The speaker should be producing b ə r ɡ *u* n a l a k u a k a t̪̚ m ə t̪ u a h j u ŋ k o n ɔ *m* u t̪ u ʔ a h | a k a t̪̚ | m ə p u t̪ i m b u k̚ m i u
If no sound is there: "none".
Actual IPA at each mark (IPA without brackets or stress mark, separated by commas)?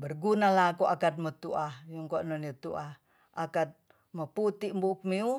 u, n